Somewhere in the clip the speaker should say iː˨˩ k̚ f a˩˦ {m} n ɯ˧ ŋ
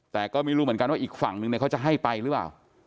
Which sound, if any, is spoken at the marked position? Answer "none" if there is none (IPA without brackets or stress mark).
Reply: ŋ